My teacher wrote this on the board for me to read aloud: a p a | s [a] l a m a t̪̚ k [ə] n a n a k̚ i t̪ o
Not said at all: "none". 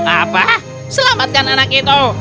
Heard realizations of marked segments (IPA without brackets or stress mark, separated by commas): ə, a